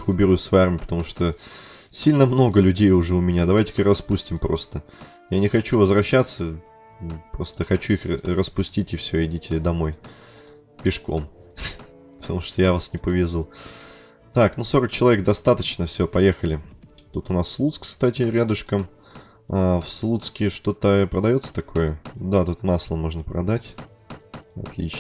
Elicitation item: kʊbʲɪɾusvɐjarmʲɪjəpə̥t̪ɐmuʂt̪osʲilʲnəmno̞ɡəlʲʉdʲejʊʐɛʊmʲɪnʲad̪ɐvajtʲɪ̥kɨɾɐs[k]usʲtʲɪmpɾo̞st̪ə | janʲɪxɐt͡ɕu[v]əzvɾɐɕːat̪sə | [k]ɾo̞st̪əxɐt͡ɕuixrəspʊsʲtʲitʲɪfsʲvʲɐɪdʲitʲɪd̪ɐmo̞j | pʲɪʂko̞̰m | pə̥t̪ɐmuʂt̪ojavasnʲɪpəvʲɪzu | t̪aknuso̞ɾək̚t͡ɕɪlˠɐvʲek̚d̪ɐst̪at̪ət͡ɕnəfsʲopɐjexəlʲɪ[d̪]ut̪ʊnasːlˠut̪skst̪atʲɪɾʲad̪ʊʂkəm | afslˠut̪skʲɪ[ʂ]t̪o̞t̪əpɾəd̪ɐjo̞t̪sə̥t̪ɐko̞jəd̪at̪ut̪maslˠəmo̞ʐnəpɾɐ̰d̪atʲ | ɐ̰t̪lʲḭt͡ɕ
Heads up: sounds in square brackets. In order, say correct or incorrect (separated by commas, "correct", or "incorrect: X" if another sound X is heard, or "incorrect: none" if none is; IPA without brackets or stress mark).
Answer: incorrect: p, correct, incorrect: p, incorrect: t̪, correct